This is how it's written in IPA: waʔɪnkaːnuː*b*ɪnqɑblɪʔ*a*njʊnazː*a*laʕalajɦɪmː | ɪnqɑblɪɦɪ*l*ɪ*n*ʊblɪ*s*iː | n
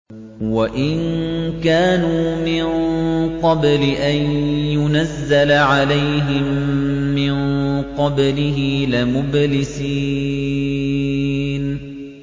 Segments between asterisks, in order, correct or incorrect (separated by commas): incorrect, correct, correct, correct, incorrect, correct